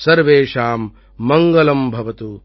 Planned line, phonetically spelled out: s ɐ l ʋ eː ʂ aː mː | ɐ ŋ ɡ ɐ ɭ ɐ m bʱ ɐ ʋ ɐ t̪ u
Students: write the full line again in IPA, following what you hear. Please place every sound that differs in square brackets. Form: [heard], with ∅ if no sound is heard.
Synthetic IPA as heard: s ɐ [ɾ] ʋ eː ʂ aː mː | ɐ ŋ ɡ ɐ [l] ɐ m bʱ ɐ ʋ ɐ t̪ u